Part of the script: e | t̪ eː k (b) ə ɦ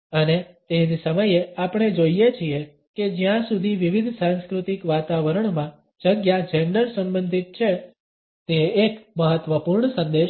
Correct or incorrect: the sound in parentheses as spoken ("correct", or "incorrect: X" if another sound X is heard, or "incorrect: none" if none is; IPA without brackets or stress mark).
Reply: incorrect: m